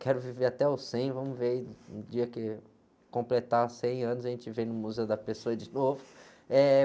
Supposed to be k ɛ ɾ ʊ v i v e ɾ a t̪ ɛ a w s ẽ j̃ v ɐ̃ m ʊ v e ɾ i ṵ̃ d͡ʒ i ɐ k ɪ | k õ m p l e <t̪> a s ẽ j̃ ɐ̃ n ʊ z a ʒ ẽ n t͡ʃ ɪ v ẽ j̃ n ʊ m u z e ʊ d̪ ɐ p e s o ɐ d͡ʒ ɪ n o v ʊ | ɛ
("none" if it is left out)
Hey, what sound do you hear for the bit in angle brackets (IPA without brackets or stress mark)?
t̪